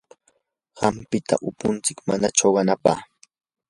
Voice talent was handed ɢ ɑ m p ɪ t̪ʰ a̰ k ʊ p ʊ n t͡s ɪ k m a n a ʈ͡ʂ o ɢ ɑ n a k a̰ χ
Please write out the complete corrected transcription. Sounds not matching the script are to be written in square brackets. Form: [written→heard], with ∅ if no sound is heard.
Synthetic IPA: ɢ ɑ m p ɪ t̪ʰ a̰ [k→ʔ] ʊ p ʊ n t͡s ɪ k m a n a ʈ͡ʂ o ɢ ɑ n a [k→p] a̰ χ